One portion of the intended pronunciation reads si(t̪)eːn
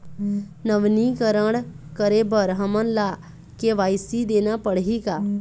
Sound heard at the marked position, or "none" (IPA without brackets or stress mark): d̪